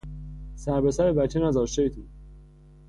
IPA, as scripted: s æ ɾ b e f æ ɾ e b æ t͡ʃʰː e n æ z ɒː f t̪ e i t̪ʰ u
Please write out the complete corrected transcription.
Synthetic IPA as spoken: s æ ɾ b e s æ ɾ e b æ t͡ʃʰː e n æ z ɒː ʃ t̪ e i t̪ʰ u